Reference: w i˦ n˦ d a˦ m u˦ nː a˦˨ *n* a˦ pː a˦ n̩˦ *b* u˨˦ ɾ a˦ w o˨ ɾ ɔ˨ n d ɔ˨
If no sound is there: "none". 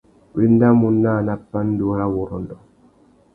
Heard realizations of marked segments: n, d

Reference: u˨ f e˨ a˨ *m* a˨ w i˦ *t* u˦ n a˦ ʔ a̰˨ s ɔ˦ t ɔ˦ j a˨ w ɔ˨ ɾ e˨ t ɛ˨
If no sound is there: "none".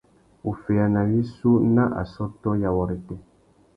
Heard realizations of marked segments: n, s

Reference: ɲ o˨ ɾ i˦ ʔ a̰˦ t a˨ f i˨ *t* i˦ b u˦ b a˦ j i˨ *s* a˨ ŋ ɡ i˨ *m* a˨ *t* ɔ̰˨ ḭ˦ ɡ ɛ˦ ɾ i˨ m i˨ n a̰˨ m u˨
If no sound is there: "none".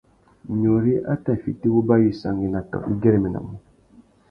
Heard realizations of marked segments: t, s, n, t

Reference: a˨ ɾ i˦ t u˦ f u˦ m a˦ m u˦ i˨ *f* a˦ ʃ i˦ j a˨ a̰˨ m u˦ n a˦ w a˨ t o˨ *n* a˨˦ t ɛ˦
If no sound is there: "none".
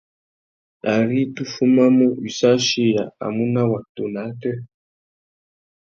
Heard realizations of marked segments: s, n

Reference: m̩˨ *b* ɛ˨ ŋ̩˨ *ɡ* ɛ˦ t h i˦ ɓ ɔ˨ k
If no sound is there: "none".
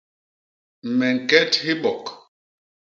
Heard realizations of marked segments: m, k

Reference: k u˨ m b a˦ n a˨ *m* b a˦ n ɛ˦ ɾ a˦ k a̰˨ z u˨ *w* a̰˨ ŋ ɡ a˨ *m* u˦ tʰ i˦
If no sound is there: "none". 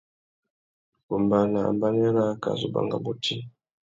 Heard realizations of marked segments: m, b, b

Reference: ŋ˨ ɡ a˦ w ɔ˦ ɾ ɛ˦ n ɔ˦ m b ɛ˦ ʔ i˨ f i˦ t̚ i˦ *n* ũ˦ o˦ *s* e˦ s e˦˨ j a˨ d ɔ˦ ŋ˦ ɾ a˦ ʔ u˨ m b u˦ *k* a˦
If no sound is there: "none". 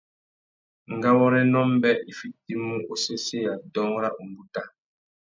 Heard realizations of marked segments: m, s, t

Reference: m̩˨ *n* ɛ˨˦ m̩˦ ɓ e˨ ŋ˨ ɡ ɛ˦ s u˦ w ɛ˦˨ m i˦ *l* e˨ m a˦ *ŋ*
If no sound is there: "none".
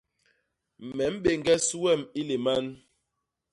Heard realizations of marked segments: m, l, n

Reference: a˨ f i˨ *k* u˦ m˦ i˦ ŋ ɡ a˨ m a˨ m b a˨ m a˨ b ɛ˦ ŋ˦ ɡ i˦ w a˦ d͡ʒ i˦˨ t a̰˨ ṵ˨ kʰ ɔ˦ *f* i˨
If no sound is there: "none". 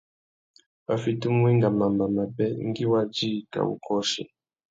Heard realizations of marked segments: t, ʃ

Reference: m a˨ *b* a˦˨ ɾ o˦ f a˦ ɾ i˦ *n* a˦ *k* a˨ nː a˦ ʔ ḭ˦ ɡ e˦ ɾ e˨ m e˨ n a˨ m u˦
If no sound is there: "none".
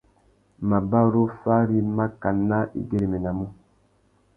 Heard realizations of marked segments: b, m, k

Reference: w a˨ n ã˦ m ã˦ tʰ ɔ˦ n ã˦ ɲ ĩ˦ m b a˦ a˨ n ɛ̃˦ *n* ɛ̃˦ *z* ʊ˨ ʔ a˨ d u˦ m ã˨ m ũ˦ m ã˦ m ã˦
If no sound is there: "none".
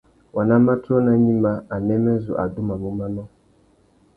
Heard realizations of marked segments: m, z

